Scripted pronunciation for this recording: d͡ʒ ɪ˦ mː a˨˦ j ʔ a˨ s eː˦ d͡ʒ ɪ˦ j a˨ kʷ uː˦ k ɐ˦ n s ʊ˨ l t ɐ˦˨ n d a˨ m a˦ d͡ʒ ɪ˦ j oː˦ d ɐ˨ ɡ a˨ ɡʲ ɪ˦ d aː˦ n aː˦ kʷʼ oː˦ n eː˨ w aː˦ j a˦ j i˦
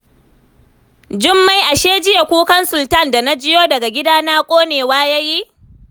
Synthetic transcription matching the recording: d͡ʒ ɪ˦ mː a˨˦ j ʔ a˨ ʃ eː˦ d͡ʒ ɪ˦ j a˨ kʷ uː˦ k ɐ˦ n s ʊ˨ l t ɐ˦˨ n d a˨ n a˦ d͡ʒ ɪ˦ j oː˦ d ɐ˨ ɡ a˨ ɡʲ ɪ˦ d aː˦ n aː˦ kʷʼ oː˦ n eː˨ w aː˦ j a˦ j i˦